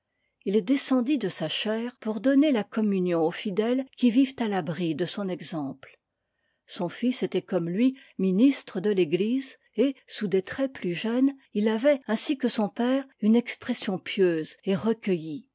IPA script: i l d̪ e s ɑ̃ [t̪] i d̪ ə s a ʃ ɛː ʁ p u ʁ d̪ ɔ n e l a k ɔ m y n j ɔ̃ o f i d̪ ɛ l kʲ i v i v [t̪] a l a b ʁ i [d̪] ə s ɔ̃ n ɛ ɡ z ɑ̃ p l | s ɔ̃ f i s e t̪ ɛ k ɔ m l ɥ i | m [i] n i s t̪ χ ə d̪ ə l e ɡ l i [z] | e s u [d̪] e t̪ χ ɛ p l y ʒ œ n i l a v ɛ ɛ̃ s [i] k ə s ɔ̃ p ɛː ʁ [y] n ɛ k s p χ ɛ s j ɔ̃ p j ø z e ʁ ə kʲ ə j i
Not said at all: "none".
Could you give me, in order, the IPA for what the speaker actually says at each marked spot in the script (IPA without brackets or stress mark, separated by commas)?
d̪, t̪, d̪, i, z, d̪, i, y